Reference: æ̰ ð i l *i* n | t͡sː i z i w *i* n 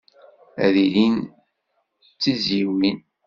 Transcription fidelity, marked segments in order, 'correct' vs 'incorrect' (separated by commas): correct, correct